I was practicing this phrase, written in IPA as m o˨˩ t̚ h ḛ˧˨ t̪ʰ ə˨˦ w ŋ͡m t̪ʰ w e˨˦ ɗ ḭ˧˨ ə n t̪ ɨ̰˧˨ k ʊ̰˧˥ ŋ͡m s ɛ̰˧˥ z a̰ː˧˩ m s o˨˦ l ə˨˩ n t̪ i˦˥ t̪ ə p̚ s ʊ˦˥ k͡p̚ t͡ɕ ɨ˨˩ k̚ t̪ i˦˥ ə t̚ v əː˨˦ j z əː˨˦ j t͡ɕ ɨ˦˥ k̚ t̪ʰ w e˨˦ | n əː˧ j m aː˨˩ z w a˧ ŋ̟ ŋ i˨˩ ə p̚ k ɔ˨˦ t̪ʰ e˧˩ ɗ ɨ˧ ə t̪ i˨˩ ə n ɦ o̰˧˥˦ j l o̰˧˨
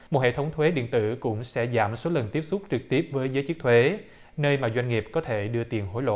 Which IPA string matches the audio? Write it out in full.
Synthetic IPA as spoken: m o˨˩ t̚ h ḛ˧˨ t̪ʰ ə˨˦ w ŋ͡m t̪ʰ w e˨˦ ɗ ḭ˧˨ ə n t̪ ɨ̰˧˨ k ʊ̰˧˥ ŋ͡m s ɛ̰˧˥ z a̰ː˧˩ m s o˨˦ l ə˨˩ n t̪ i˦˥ ə p̚ s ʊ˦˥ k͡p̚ t͡ɕ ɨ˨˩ k̚ t̪ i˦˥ ə p̚ v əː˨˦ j z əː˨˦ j t͡ɕ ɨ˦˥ k̚ t̪ʰ w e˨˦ | n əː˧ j m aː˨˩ z w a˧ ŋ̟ ŋ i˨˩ ə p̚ k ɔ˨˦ t̪ʰ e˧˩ ɗ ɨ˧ ə t̪ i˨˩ ə n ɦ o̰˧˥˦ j l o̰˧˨